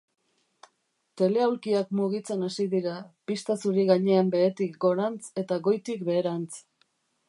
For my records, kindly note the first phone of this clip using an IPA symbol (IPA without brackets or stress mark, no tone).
t̪